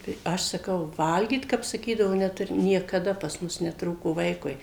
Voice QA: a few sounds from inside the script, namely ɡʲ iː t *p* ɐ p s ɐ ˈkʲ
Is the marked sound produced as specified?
no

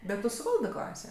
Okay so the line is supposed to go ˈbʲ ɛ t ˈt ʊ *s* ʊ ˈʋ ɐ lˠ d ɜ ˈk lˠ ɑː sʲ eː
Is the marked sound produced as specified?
yes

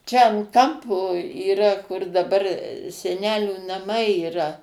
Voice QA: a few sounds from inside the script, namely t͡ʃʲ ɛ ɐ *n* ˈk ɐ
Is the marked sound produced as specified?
yes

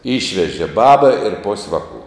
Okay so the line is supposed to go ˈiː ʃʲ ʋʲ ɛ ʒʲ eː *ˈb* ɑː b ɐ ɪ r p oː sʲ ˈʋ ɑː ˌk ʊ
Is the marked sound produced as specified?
yes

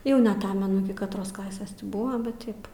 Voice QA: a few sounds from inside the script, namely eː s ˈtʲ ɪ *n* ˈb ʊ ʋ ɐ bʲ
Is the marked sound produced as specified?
no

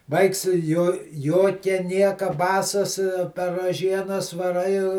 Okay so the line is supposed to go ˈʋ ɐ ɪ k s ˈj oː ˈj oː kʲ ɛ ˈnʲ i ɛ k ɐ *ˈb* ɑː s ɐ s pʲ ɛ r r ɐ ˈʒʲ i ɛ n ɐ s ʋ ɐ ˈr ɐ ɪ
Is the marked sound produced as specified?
yes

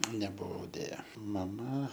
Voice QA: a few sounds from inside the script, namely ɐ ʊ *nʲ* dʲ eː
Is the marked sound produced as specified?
no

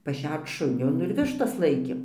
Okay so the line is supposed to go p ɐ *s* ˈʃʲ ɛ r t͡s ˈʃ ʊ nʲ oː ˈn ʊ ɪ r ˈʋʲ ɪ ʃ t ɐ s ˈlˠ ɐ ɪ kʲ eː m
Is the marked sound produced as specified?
no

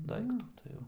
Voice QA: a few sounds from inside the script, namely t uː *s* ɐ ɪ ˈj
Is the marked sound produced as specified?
no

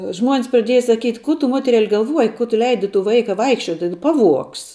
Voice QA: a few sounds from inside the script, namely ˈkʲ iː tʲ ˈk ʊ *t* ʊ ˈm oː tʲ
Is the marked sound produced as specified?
yes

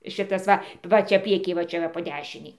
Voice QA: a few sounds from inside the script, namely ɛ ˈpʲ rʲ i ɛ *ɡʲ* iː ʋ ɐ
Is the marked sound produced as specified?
no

